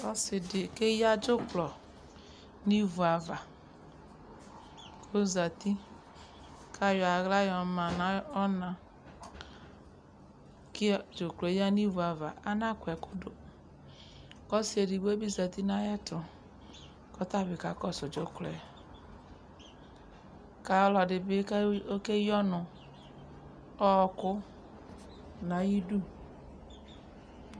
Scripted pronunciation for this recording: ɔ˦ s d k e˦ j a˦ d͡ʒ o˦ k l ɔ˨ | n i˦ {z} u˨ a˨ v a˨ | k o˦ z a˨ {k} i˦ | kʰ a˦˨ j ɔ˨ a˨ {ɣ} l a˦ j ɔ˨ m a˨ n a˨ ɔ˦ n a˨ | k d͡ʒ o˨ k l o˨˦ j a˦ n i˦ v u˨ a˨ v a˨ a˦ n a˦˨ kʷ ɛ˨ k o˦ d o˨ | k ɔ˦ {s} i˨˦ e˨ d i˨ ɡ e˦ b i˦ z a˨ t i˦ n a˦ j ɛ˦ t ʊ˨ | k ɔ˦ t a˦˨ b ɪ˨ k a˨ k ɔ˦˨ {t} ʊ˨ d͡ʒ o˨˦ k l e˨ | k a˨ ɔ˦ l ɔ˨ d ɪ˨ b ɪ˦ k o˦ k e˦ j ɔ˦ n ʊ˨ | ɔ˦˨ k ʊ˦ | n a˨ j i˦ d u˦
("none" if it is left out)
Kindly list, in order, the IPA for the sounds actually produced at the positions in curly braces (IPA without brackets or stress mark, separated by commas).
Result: v, t, ɣ, s, s